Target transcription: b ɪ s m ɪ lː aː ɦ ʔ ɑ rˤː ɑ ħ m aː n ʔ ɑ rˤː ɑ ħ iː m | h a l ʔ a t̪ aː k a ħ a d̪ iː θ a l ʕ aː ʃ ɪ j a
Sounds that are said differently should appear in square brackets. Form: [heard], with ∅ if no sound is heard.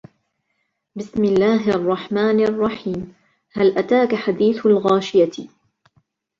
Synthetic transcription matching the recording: b ɪ s m ɪ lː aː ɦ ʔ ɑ rˤː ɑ ħ m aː n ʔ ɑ rˤː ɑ ħ iː m | h a l ʔ a t̪ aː k a ħ a d̪ iː θ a l [ɣ] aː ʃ ɪ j a